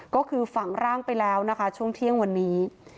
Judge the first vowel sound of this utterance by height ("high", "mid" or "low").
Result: mid